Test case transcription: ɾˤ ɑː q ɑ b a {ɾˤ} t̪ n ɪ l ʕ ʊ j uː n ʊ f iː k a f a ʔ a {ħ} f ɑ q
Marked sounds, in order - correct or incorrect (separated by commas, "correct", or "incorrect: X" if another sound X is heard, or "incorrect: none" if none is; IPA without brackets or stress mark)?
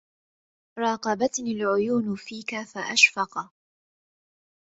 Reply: incorrect: none, incorrect: ʃ